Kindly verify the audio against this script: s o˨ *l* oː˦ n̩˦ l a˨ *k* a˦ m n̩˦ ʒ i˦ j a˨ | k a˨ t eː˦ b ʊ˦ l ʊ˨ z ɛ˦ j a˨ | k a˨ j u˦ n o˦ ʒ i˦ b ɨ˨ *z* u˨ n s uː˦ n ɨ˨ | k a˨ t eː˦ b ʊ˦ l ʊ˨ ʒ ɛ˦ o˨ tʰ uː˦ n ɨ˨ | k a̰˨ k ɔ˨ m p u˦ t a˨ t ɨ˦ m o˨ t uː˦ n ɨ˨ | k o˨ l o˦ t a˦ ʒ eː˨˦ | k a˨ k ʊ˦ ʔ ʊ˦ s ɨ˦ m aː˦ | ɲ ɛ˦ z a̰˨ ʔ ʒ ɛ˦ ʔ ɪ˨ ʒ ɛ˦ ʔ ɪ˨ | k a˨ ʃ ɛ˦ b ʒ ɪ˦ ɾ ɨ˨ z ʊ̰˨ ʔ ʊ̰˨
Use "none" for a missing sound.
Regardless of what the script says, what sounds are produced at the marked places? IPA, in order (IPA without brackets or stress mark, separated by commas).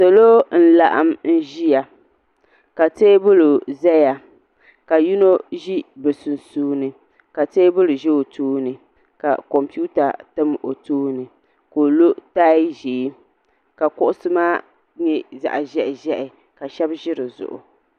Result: l, ʔ, s